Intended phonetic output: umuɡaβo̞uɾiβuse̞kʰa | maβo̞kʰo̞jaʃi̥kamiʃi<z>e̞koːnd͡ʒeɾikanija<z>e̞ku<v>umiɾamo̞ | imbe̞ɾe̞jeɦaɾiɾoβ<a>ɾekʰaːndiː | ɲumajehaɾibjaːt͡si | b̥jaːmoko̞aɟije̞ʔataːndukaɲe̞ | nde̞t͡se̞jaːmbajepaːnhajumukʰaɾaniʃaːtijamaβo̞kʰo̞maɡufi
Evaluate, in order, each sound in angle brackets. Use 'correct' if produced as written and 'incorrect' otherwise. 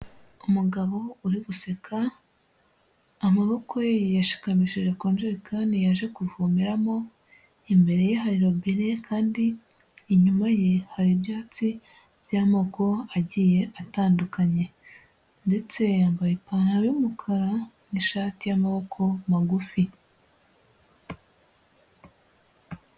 incorrect: ʒ, incorrect: ʒ, correct, incorrect: i

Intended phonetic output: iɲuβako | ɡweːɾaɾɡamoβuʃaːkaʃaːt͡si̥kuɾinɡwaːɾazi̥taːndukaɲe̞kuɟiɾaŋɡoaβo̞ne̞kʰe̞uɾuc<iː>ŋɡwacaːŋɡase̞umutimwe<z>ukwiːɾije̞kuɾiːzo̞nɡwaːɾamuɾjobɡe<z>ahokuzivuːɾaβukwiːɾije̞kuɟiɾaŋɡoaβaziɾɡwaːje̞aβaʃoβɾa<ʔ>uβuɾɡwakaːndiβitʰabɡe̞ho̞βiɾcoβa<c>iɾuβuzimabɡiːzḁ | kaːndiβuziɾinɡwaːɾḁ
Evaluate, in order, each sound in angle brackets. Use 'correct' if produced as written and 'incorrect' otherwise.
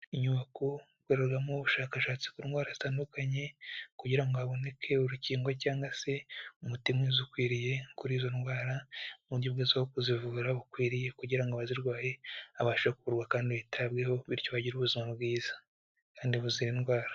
correct, correct, correct, incorrect: k, incorrect: ɟ

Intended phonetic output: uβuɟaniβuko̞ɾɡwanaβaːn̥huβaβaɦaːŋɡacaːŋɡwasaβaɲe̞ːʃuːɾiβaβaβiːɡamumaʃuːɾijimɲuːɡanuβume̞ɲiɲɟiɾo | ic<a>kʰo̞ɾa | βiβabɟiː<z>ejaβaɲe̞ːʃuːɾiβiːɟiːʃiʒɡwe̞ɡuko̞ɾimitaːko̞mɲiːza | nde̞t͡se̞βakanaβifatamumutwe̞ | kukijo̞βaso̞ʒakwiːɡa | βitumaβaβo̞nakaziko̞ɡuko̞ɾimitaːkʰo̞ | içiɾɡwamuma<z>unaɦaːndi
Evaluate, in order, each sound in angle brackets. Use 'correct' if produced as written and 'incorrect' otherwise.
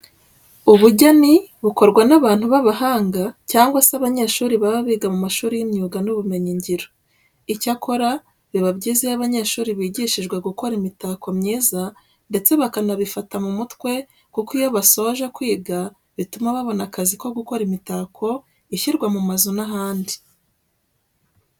correct, correct, correct

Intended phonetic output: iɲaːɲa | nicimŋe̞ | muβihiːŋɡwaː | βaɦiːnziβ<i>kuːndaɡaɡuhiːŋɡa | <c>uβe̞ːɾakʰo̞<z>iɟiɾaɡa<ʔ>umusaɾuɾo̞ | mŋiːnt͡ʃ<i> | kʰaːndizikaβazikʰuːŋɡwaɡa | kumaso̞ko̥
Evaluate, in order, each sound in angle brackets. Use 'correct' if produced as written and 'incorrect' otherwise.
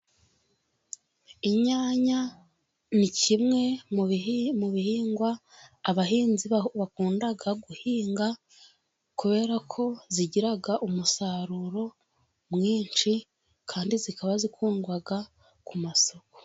incorrect: a, incorrect: k, correct, correct, correct

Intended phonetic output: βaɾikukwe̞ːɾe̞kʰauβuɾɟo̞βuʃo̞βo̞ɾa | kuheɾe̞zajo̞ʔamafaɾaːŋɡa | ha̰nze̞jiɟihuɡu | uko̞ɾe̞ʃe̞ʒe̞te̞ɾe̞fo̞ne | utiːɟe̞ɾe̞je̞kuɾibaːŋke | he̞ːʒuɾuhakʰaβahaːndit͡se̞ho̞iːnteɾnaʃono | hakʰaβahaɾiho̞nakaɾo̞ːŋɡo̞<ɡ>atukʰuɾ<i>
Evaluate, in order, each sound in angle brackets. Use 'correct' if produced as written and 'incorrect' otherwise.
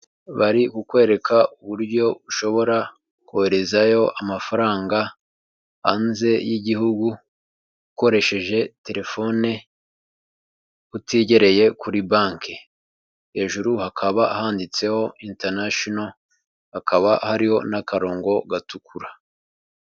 correct, incorrect: a

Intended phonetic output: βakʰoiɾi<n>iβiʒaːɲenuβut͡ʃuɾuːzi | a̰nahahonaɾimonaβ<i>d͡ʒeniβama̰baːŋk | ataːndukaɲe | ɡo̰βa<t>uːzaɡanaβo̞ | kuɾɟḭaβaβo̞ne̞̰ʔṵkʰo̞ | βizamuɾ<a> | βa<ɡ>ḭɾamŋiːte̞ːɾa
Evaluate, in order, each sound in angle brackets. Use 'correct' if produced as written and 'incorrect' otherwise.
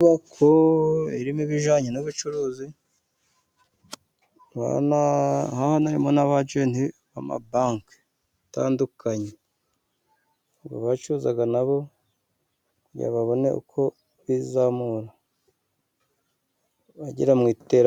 incorrect: m, incorrect: a, incorrect: t͡ʃ, correct, incorrect: ɟ

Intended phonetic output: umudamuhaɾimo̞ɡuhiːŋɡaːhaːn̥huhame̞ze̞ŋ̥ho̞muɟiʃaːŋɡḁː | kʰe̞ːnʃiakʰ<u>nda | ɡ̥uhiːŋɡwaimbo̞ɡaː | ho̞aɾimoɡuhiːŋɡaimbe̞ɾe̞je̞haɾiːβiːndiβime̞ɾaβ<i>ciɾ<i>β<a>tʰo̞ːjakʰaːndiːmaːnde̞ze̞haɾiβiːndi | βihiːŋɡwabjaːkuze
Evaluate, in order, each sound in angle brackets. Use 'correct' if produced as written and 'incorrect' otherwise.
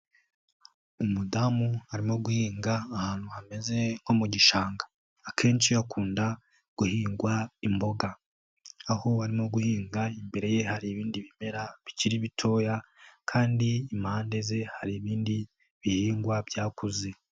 incorrect: uː, correct, correct, incorrect: i

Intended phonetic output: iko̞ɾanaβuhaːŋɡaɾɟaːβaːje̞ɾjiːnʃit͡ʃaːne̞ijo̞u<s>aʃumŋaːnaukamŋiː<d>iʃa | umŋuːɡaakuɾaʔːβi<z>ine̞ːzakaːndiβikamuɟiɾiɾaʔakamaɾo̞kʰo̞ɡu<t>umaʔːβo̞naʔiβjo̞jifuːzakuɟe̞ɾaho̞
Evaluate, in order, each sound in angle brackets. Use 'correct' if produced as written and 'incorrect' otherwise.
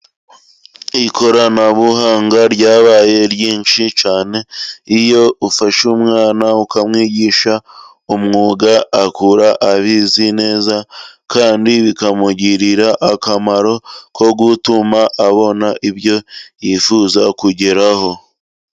incorrect: f, incorrect: ɟ, correct, correct

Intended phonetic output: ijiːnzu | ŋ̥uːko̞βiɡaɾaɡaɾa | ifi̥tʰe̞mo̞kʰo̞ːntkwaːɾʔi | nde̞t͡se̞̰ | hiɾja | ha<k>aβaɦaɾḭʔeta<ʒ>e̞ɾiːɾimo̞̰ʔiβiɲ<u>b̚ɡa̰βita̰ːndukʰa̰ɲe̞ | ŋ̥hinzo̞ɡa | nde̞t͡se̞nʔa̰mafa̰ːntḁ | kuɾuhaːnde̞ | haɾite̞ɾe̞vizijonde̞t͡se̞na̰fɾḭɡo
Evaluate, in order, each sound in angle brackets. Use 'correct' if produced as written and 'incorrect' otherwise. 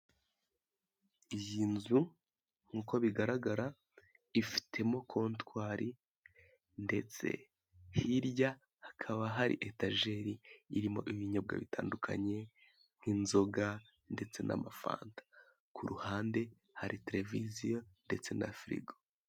incorrect: kʰ, correct, incorrect: o

